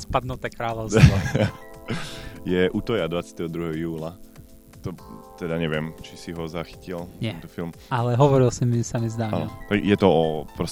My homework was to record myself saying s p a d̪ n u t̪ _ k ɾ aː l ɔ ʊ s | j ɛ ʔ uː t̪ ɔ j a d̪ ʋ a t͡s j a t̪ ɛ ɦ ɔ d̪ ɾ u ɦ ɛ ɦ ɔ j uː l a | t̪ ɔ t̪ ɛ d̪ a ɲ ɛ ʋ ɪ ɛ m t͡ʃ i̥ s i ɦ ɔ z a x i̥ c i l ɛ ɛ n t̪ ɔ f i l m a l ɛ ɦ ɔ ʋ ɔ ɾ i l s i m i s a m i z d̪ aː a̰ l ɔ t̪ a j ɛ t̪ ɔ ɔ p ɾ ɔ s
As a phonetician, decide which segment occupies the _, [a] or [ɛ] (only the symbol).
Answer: ɛ